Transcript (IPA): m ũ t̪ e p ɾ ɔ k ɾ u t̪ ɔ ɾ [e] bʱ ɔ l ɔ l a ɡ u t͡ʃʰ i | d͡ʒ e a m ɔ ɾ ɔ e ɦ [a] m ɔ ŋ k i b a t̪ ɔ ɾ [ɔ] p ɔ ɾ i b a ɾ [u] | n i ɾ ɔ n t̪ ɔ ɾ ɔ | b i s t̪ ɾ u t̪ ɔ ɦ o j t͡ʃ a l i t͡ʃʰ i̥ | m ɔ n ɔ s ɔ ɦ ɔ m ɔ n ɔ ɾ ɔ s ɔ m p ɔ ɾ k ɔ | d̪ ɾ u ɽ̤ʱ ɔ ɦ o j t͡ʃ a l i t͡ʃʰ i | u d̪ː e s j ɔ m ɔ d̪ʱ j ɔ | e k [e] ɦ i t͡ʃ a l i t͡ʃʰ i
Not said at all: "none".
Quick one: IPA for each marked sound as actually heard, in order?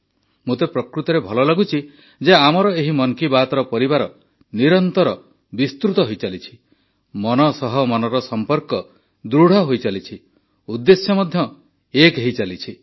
e, i, ɔ, ɔ, e

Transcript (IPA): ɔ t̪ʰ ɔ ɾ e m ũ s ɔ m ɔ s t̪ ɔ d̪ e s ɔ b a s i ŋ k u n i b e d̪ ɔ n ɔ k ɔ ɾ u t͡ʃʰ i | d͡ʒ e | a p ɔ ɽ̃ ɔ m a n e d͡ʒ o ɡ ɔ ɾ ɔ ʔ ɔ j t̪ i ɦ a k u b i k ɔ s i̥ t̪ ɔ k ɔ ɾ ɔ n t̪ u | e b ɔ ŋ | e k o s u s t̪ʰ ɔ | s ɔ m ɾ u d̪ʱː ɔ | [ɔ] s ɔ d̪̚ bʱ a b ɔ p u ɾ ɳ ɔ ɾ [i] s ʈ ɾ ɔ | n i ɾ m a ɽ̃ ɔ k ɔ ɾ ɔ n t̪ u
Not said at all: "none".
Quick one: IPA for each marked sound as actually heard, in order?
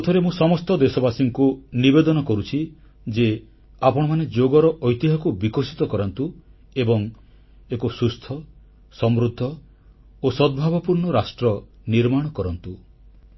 o, a

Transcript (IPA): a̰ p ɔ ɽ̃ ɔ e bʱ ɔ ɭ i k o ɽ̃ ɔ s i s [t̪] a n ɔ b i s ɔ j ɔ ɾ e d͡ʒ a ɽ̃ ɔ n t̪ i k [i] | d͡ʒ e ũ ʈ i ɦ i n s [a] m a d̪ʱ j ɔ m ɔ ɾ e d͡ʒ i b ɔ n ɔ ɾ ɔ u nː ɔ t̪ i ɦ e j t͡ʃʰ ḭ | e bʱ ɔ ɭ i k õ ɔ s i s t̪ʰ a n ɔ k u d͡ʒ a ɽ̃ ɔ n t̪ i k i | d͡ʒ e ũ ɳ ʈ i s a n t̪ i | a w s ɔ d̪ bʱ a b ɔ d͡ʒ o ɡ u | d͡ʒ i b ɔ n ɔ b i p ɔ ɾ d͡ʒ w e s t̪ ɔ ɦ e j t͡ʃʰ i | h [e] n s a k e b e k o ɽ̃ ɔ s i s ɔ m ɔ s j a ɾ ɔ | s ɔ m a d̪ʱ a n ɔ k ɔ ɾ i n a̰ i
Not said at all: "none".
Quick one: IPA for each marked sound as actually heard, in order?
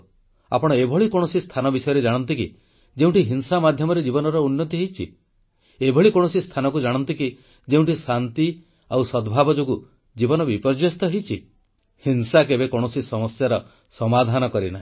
t̪ʰ, i, a, i

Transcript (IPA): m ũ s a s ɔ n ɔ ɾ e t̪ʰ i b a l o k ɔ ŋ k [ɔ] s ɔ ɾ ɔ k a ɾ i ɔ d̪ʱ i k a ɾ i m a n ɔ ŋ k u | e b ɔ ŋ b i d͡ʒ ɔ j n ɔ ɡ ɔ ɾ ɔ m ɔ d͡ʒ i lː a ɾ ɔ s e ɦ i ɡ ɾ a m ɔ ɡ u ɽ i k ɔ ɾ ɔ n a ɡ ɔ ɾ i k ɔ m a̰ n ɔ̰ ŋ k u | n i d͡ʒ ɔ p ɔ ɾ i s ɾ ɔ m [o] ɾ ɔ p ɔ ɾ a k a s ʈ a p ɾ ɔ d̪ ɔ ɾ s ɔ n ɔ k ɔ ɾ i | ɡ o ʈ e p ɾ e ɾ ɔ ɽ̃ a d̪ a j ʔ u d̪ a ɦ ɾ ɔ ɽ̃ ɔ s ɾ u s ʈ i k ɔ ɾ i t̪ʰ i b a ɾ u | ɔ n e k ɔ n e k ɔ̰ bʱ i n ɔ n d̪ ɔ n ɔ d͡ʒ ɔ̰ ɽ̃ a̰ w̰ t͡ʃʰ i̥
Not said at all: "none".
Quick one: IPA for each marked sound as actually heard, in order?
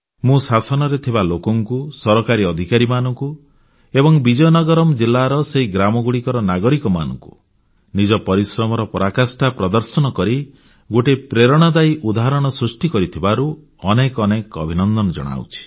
u, ɔ

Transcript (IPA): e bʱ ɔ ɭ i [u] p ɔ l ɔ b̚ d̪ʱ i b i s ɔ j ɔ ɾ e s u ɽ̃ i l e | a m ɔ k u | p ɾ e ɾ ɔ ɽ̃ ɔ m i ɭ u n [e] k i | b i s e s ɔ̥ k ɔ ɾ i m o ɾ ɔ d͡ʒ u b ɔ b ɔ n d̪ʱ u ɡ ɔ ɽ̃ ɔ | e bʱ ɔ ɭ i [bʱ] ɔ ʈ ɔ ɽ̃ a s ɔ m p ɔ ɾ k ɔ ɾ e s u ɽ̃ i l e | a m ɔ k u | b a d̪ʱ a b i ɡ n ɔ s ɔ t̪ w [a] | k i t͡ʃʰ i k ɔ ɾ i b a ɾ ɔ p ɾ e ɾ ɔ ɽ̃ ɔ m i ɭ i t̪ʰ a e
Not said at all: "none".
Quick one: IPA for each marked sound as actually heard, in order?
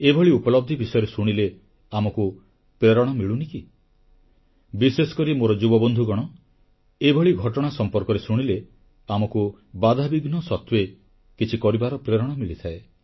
u, i, ɡʱ, e

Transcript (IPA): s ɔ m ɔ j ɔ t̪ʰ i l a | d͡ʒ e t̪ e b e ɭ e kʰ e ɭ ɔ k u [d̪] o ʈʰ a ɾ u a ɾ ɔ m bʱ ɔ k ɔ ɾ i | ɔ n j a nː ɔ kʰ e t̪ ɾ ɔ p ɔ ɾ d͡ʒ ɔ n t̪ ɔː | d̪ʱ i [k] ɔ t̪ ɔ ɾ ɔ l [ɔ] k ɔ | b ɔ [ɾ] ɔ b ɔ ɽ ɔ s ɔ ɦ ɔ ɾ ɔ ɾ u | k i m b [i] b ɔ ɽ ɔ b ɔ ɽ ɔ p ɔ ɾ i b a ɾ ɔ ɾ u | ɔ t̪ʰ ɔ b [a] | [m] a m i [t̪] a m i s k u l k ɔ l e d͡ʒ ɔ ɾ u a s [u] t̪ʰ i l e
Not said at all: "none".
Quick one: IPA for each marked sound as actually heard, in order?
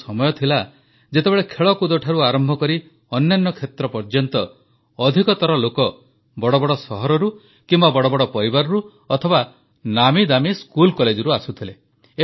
d̪, k, o, ɽ, a, a, n, d̪, u

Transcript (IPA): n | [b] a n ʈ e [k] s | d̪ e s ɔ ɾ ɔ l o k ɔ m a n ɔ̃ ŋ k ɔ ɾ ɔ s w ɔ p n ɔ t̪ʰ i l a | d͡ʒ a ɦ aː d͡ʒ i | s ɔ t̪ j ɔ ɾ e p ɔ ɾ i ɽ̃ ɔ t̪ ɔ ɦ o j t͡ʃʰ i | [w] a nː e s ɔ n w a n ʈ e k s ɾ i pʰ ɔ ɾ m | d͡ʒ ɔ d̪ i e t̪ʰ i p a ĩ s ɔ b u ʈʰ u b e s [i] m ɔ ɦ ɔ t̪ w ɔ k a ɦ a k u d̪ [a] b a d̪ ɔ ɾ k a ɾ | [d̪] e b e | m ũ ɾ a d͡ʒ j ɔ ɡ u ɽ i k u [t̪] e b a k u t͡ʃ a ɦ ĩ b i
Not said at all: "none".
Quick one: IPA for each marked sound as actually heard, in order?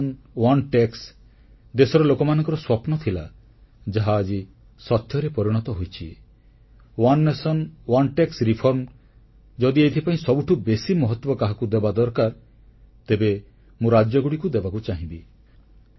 w, k, w, i, e, t̪, d̪

